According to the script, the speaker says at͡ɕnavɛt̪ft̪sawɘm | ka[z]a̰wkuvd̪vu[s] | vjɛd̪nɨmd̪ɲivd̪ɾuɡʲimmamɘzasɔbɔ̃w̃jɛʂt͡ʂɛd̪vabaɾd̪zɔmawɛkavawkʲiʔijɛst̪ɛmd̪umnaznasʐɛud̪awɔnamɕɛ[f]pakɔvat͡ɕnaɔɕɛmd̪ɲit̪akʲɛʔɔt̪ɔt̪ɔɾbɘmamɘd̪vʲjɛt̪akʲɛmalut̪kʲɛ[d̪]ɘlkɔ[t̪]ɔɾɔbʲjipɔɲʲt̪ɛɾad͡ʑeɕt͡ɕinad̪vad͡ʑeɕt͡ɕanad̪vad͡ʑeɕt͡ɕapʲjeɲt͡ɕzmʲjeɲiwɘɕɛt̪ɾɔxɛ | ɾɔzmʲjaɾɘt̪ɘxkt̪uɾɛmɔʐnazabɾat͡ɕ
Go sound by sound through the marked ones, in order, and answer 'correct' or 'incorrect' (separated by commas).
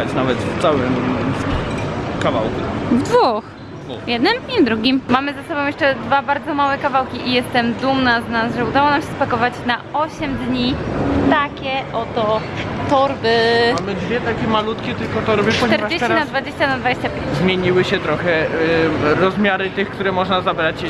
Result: incorrect, incorrect, incorrect, incorrect, correct